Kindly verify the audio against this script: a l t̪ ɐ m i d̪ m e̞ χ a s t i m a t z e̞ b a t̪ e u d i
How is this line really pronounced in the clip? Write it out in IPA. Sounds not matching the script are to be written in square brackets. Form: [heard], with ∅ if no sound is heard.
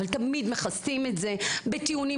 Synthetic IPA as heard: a l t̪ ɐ m i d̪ m e̞ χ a s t i m [e] t z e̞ b [e] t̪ [i] u [n] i

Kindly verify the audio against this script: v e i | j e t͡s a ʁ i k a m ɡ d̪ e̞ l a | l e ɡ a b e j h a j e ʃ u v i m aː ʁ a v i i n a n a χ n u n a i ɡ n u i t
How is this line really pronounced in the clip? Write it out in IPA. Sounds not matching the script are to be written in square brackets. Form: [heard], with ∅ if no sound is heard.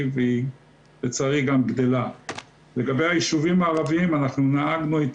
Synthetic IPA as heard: v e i | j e t͡s a ʁ i [ɡ] a m ɡ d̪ e̞ l a | l e ɡ a b e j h a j [i] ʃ u v i m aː ʁ a v i i [m] a n a χ n u n a [a] ɡ n u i t

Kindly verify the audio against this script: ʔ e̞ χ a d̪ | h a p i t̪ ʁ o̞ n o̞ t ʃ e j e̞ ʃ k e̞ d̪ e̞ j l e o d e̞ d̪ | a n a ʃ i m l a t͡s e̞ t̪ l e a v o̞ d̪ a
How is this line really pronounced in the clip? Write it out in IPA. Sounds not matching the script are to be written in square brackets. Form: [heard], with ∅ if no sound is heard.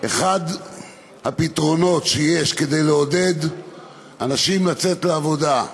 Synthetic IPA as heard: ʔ e̞ χ a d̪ | h a p i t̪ ʁ o̞ n o̞ t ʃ e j e̞ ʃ k e̞ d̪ e̞ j l e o d e̞ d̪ | a n a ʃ i m l a t͡s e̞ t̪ l e a v o̞ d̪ a

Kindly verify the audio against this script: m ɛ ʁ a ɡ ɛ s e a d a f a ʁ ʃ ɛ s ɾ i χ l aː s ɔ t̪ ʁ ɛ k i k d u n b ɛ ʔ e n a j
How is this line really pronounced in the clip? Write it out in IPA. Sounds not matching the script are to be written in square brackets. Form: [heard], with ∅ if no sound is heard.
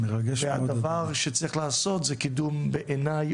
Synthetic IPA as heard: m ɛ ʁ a ɡ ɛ [ʃ] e a d a [v] a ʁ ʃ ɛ [t͡s] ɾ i χ l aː s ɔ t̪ [z] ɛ k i [∅] d u [m] b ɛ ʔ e n a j

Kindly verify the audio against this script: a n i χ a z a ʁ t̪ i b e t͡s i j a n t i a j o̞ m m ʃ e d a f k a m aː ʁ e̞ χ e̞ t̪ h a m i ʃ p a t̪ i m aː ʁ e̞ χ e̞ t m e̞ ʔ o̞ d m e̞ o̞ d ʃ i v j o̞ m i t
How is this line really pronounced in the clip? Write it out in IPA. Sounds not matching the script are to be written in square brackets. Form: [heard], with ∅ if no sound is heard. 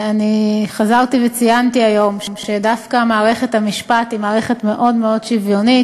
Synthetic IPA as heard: a n i χ a z a ʁ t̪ i [v] e t͡s i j a n t i a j o̞ m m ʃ e d a f k a m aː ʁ e̞ χ e̞ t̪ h a m i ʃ p a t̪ i m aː ʁ e̞ χ e̞ t m e̞ ʔ o̞ d m e̞ o̞ d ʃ i v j o̞ [n] i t

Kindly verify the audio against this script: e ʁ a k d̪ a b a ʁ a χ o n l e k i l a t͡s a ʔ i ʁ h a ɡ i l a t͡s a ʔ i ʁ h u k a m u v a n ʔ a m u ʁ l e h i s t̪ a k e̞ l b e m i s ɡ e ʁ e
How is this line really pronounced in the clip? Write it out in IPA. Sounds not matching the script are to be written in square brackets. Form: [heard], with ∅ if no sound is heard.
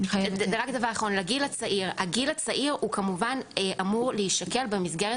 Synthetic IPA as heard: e ʁ a k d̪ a [v] a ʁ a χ o n l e [ɡ] i l a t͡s a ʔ i ʁ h a ɡ i l a t͡s a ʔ i ʁ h u k a m u v a n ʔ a m u ʁ l e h i [ʃ] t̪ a k e̞ l b e m i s ɡ e ʁ e

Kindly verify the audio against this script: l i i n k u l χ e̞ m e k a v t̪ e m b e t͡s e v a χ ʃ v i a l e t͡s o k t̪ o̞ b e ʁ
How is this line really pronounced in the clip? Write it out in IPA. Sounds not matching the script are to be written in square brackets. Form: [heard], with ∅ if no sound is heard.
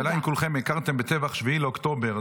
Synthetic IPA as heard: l [a] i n k u l χ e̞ m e k a [ʁ] t̪ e m b e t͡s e v a χ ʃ v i [i] l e [∅] o k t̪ o̞ b e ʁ

